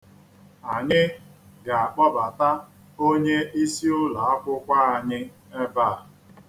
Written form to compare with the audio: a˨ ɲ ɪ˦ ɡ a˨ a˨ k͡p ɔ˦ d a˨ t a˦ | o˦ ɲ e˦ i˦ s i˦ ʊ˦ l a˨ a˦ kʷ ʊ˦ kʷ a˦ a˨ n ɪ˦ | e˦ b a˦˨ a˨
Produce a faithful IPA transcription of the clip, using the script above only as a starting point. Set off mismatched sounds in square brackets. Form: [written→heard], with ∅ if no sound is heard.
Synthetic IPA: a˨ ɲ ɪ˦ ɡ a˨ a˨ k͡p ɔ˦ [d→b] a˨ t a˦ | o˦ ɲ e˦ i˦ s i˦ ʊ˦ l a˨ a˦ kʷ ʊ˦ kʷ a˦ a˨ [n→ɲ] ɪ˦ | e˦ b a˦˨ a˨